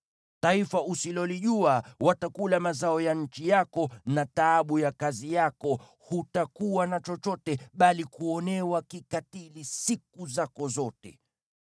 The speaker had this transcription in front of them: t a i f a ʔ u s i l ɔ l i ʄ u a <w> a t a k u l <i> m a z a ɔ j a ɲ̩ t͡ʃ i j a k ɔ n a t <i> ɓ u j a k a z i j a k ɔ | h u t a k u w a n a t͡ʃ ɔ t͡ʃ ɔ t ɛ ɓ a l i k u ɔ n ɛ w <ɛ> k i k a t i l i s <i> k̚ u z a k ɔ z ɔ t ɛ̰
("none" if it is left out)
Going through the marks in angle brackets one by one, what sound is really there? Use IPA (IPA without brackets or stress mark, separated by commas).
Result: w, a, a, a, i